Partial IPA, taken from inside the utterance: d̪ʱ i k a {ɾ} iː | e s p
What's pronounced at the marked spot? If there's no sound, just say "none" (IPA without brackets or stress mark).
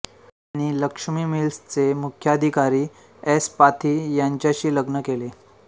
ɾ